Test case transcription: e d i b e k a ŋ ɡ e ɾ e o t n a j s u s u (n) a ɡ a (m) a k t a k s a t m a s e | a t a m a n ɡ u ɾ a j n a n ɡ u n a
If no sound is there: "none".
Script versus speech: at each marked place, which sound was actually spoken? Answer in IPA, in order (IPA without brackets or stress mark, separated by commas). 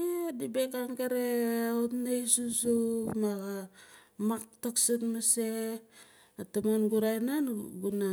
m, m